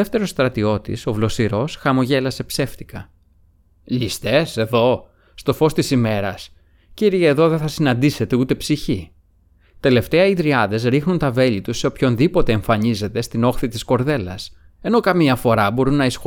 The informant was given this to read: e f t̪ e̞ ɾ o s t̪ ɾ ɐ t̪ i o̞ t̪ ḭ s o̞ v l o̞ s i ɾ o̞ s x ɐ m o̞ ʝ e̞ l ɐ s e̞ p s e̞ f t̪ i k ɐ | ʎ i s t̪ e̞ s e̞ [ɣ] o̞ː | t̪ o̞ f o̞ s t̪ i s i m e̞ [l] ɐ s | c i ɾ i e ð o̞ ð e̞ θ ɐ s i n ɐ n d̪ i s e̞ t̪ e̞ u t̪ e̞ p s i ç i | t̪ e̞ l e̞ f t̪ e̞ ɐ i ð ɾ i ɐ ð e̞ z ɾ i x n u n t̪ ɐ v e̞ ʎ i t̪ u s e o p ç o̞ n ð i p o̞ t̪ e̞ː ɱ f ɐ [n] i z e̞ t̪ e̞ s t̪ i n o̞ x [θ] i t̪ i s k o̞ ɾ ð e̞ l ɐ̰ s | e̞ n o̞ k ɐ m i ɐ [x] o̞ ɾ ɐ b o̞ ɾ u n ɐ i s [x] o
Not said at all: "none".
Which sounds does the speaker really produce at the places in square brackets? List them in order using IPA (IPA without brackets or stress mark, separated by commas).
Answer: ð, ɾ, ɲ, θ, f, x